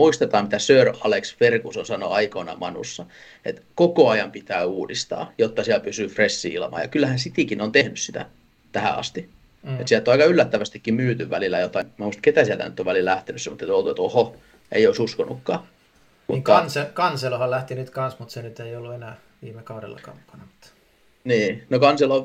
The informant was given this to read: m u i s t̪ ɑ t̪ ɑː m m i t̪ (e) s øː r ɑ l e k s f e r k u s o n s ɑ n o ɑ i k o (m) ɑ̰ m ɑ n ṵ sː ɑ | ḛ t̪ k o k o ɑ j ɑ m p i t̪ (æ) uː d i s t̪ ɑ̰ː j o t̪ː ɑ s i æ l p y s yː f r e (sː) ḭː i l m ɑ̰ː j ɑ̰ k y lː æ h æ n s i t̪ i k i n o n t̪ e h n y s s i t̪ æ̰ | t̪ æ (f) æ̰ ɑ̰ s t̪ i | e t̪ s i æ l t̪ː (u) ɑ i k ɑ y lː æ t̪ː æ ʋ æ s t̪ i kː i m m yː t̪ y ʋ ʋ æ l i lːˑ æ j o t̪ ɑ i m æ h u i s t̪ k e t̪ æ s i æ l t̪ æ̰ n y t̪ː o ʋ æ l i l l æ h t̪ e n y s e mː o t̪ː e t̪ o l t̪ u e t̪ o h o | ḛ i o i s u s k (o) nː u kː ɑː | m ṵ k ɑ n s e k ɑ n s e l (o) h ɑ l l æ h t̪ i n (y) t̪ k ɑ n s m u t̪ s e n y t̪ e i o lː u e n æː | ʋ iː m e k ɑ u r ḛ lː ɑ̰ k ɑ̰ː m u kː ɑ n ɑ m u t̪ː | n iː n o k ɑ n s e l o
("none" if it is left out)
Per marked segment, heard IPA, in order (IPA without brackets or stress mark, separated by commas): æ, n, æː, sː, h, o, o, o, y